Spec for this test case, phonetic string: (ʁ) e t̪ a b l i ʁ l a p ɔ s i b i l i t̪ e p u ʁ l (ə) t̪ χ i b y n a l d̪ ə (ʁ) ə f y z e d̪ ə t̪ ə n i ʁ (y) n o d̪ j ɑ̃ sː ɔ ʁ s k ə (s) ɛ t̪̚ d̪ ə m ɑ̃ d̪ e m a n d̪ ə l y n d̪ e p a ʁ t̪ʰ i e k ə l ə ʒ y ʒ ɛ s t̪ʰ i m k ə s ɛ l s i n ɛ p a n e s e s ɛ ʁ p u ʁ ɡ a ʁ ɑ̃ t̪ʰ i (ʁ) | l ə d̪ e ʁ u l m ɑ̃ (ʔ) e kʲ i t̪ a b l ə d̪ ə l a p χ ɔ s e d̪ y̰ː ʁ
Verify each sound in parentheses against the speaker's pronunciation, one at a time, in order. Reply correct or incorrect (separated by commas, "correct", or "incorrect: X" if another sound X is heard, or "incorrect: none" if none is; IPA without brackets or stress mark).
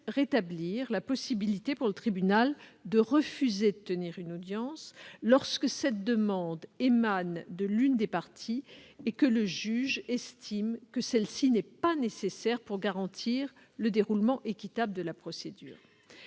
correct, correct, correct, correct, correct, correct, correct